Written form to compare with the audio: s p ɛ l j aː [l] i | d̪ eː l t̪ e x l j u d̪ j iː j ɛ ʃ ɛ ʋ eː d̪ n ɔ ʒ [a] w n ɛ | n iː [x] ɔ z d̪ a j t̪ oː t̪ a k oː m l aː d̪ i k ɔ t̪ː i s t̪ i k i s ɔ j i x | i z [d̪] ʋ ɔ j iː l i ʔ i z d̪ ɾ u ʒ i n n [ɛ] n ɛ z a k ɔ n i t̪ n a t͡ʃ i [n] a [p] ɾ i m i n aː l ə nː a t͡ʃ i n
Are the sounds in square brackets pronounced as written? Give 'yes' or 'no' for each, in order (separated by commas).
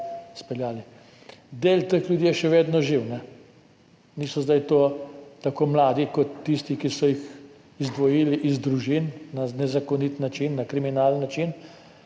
yes, no, no, yes, no, no, no